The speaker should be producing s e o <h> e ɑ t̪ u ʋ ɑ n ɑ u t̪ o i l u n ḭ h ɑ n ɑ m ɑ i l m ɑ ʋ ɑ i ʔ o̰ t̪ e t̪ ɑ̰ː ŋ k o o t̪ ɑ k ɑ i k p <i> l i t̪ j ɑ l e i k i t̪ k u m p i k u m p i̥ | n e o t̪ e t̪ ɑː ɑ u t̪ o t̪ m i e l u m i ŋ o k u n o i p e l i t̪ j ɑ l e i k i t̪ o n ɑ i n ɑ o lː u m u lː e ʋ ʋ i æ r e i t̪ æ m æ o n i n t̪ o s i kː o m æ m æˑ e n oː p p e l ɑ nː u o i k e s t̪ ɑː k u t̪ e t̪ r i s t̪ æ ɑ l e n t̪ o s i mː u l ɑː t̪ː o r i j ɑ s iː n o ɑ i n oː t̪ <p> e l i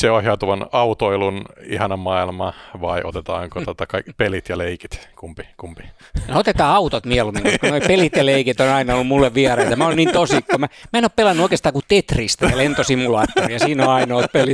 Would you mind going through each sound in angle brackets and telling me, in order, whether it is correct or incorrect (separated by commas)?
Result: correct, incorrect, correct